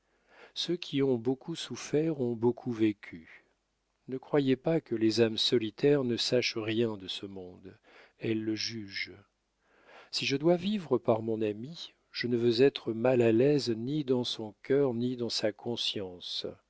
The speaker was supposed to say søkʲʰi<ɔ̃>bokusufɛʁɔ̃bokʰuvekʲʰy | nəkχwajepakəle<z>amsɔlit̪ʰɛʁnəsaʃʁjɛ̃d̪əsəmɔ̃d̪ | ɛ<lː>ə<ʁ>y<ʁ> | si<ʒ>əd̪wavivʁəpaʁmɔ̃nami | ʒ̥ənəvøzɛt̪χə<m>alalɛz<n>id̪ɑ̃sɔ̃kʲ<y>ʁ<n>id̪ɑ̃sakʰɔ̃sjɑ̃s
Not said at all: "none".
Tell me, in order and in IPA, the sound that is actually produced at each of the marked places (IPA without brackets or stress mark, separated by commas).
ɔ̃, z, lː, ʒ, ʒ, ʒ, m, n, œ, n